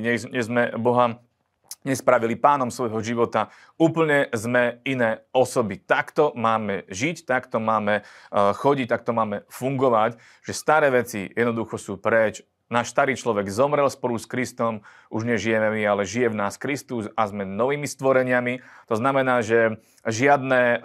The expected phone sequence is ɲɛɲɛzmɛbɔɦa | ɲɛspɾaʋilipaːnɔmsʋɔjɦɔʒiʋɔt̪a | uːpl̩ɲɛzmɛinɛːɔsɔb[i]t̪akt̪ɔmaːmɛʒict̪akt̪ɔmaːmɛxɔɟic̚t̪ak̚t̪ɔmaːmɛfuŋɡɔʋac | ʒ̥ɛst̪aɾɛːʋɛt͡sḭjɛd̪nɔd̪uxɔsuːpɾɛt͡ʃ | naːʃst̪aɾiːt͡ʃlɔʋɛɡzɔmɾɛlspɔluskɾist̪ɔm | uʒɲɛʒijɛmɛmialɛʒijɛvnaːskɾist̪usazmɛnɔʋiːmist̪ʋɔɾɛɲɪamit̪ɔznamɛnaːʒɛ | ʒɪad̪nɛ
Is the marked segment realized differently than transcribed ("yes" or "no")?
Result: no